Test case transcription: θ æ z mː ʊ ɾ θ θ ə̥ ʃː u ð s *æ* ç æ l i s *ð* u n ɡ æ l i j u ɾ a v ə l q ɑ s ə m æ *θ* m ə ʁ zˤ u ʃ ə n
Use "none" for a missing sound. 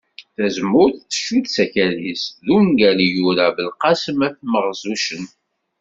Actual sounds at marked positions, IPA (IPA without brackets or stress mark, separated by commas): æ, ð, θ